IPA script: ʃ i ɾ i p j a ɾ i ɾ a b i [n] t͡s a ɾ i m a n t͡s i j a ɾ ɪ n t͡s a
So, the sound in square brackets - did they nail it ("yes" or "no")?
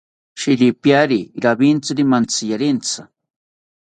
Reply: yes